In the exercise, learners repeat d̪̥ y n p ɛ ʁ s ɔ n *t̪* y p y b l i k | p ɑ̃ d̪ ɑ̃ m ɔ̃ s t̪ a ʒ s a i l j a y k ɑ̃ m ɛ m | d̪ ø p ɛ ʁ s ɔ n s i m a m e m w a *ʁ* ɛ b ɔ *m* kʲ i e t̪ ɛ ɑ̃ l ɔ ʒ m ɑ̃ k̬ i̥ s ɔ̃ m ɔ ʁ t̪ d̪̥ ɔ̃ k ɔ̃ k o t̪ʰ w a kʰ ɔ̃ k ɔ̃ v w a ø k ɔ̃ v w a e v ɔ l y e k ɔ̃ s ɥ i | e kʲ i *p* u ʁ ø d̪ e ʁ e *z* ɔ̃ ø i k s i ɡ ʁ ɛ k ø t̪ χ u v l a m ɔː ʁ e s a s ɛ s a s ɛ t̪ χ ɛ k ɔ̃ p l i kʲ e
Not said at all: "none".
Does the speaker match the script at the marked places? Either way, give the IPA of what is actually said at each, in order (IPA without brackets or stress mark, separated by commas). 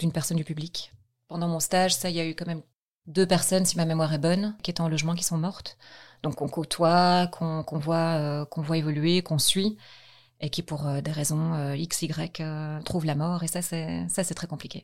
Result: d̪, ʁ, n, p, z